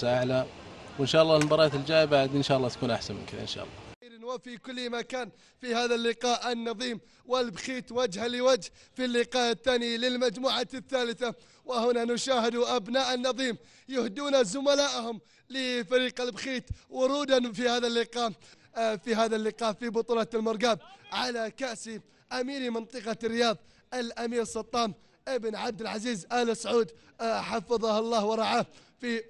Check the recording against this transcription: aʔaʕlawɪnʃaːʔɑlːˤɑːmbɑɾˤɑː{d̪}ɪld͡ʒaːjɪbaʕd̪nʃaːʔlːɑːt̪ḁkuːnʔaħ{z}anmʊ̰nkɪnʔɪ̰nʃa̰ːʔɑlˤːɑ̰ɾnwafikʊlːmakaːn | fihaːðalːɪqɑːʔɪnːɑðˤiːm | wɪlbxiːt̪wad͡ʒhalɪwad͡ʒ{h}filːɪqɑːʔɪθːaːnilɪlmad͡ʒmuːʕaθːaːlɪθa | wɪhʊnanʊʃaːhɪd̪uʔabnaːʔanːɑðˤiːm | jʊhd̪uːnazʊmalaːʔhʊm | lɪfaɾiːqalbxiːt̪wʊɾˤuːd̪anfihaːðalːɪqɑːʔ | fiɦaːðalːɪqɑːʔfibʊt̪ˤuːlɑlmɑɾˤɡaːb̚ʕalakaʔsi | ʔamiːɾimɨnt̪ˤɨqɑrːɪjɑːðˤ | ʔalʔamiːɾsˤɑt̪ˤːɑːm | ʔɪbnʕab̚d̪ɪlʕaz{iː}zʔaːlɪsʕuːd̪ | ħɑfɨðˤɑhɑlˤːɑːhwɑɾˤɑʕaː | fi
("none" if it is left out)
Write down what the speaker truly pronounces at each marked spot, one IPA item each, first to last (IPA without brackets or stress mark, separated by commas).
t̪, s, h, iː